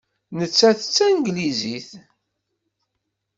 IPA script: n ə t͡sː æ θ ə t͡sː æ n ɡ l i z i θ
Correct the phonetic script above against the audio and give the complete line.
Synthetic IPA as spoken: n ə t͡sː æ θ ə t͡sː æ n ɡ l i z i θ